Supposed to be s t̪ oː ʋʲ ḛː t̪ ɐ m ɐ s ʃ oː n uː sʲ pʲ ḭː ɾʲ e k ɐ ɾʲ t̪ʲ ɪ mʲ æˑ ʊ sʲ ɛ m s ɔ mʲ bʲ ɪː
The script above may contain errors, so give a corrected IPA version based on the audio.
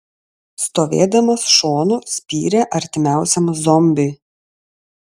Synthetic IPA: s t̪ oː ʋʲ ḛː d̪ ɐ m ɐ s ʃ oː n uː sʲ pʲ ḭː ɾʲ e ʔ ɐ ɾʲ t̪ʲ ɪ mʲ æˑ ʊ sʲ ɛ m z ɔ mʲ bʲ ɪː

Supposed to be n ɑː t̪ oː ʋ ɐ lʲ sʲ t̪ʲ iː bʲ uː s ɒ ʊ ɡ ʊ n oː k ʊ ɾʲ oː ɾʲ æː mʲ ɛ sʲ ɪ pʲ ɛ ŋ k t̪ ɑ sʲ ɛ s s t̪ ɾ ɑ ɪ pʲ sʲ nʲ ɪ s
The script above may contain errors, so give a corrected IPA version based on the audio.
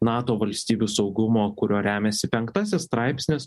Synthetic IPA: n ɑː t̪ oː ʋ ɐ lʲ sʲ t̪ʲ iː bʲ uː s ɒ ʊ ɡ ʊ m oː k ʊ ɾʲ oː ɾʲ æː mʲ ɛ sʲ ɪ pʲ ɛ ŋ k t̪ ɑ sʲ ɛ s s t̪ ɾ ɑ ɪ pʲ sʲ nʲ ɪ s

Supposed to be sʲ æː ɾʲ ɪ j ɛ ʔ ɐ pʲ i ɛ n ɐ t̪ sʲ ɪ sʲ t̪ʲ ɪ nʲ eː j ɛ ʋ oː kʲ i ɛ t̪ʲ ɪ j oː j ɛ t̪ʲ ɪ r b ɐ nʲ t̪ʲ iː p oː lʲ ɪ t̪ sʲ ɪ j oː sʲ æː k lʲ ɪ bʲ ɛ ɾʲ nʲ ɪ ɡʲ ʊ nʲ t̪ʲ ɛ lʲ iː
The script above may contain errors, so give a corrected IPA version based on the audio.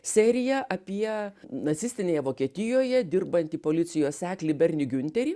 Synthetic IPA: sʲ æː ɾʲ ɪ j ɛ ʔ ɐ pʲ i ɛ n ɐ t̪ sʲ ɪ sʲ t̪ʲ ɪ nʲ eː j ɛ ʋ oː kʲ i ɛ t̪ʲ ɪ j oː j ɛ d̪ʲ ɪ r b ɐ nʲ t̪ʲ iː p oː lʲ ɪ t̪ sʲ ɪ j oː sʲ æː k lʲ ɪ bʲ ɛ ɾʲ nʲ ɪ ɡʲ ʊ nʲ t̪ʲ ɛ ɾʲ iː

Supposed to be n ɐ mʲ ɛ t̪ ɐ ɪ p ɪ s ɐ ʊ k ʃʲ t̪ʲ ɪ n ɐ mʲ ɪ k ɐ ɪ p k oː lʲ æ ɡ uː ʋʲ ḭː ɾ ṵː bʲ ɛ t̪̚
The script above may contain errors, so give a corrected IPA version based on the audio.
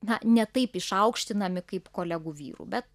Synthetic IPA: n ɐ nʲ ɛ t̪ ɐ ɪ p ɪ ʃ ɐ ʊ k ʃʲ t̪ʲ ɪ n ɐ mʲ ɪ k ɐ ɪ p k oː lʲ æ ɡ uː ʋʲ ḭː ɾ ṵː bʲ ɛ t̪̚

